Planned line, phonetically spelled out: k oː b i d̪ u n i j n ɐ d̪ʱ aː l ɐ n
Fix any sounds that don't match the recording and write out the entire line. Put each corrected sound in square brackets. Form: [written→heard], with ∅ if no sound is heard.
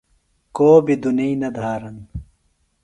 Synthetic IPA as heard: k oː b i d̪ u n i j n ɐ d̪ʱ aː [l→ɾ] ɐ n